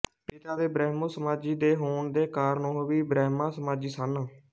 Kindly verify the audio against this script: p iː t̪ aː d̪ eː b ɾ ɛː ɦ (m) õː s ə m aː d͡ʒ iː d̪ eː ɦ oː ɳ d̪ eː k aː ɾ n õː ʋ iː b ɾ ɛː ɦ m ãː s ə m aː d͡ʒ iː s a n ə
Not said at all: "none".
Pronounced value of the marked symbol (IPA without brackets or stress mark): m